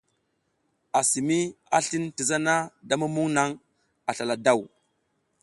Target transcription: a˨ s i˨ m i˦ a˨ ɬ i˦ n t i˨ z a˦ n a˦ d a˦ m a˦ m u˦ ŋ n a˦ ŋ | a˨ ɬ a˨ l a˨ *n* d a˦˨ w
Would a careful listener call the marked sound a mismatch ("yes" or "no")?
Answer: yes